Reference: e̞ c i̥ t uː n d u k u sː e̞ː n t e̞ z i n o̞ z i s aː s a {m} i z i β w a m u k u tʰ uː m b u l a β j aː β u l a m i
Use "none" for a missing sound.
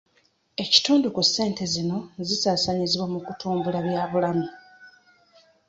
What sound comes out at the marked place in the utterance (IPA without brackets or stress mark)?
ɲ